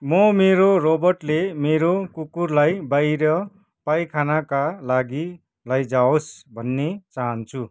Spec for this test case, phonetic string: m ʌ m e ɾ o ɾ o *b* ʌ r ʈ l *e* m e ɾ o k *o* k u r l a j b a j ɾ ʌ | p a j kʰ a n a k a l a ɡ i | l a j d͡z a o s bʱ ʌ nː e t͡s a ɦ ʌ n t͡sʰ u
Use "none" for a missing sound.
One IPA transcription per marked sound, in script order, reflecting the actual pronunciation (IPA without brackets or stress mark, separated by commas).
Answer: b, e, u